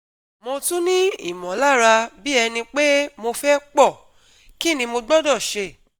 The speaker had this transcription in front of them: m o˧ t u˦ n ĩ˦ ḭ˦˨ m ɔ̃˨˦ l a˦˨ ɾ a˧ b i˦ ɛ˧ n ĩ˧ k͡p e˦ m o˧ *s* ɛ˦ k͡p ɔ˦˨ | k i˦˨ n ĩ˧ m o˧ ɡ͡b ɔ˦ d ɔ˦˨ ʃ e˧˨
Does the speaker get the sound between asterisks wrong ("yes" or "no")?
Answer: yes